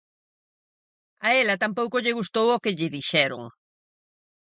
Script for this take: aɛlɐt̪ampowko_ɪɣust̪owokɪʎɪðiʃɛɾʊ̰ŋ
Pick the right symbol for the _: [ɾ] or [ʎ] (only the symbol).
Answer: ʎ